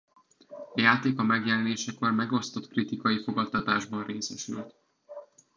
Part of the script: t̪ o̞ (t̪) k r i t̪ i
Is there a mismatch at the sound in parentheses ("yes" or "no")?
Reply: no